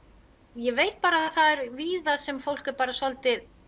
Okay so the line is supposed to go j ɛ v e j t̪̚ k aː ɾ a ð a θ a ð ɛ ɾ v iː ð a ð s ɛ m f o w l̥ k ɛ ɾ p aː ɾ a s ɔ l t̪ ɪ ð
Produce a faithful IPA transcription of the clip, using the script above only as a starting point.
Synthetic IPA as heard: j ɛ v e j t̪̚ p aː ɾ a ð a θ a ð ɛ ɾ v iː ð a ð s ɛ m f o w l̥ k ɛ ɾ p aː ɾ a s ɔ l t̪ ɪ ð